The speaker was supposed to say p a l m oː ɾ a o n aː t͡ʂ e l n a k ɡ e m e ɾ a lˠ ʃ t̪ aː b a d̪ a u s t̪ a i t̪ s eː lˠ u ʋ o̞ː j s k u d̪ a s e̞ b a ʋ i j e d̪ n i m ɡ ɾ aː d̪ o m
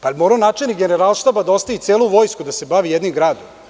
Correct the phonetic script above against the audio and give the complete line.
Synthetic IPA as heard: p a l m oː ɾ a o n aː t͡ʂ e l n i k ɡ e n e ɾ a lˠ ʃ t̪ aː b a d̪ a o s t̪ a i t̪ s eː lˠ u ʋ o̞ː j s k u d̪ a s e̞ b a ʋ i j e d̪ n i m ɡ ɾ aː d̪ o m